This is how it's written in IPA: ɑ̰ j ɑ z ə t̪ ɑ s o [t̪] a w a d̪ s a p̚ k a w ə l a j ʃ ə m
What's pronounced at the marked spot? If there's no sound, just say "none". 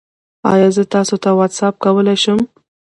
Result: t̪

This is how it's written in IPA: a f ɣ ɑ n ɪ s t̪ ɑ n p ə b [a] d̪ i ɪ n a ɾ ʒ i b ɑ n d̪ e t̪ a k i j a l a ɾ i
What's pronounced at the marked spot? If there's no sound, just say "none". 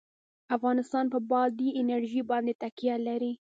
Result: ɑ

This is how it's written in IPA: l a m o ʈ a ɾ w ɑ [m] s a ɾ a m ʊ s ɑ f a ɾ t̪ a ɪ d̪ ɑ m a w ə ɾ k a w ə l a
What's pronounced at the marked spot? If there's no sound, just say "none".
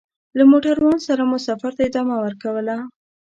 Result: n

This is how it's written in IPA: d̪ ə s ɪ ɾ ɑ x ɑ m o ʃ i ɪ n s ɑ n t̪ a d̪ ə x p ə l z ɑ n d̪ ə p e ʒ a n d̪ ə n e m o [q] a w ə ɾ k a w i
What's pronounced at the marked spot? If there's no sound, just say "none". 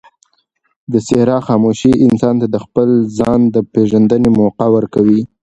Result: q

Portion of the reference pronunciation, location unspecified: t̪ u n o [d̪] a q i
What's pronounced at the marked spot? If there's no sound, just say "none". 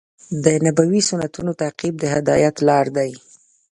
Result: t̪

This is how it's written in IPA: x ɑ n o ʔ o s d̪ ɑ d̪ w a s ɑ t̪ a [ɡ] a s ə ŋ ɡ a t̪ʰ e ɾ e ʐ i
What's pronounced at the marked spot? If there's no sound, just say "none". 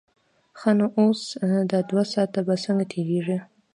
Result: b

